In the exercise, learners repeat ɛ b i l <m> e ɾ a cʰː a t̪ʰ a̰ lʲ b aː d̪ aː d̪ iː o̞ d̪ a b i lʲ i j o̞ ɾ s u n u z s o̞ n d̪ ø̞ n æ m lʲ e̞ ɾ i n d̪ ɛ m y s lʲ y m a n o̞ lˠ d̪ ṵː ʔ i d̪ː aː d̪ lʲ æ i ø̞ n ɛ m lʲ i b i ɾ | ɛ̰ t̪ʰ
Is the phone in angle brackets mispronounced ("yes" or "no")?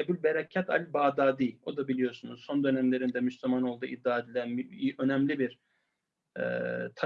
yes